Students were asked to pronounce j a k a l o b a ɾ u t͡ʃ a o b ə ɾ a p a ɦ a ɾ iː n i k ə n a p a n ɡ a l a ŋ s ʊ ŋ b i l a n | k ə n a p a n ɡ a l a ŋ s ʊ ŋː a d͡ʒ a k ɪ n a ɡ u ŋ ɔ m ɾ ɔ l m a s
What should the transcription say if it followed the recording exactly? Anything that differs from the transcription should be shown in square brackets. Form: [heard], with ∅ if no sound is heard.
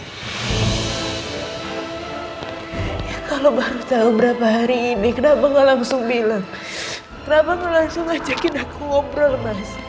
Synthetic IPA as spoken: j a k a l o b a ɾ u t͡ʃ a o b ə ɾ a p a ɦ a ɾ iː n i k ə n a p a [ŋ] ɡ a l a ŋ s ʊ ŋ b i l a [ŋ] | k ə n a p a [ŋ] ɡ a l a ŋ s ʊ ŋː a d͡ʒ a k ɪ n a [k] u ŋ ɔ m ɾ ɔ l m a s